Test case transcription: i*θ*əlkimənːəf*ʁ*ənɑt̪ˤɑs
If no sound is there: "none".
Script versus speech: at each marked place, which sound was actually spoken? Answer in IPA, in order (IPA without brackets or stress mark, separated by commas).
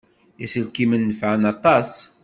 s, ʕ